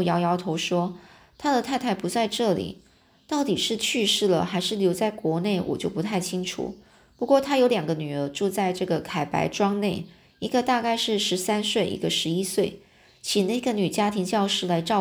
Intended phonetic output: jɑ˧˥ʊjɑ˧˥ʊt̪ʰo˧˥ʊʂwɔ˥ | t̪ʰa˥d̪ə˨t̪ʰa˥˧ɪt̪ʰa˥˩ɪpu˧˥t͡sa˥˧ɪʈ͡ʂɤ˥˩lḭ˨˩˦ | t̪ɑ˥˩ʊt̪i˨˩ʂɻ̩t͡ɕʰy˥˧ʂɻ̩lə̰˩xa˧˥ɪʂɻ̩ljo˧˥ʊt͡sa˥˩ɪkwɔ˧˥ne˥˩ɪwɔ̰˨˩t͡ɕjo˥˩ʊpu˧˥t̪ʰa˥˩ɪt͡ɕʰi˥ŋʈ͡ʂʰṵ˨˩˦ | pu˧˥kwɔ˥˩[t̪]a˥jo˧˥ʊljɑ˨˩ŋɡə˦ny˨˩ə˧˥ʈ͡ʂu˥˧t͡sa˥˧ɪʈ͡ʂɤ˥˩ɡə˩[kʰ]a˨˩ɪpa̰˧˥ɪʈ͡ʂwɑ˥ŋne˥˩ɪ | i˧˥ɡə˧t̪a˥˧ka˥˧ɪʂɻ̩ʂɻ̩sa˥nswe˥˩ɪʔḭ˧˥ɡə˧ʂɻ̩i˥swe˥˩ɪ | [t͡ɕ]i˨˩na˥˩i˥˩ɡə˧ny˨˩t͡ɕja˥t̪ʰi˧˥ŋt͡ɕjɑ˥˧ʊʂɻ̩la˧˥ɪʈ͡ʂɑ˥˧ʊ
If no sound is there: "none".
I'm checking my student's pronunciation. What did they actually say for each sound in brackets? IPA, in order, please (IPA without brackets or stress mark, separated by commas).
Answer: t̪ʰ, kʰ, t͡ɕʰ